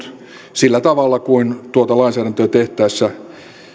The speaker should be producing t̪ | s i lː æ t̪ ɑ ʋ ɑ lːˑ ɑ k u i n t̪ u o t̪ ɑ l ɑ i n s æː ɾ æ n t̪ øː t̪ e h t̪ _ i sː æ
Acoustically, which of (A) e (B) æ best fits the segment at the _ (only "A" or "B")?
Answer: B